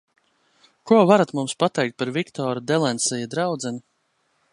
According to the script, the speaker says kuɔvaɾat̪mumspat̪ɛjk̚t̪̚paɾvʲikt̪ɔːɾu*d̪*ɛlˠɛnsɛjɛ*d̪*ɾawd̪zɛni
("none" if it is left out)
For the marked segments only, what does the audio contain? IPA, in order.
d̪, d̪

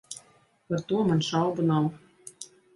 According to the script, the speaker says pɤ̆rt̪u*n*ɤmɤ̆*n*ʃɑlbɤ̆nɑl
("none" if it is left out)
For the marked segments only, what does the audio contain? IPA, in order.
none, n

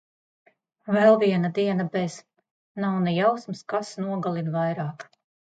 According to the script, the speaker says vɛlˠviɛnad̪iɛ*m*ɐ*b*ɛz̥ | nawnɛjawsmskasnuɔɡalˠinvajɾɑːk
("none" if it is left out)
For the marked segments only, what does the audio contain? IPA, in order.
n, b

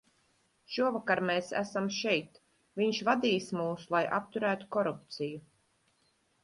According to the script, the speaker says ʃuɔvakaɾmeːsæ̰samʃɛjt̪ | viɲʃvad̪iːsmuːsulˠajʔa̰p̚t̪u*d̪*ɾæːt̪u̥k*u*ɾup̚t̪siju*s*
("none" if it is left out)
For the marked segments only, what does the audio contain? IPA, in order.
none, ɔ, none

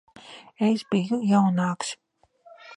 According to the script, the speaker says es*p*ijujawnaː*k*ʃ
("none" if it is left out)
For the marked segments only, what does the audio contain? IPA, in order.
b, k

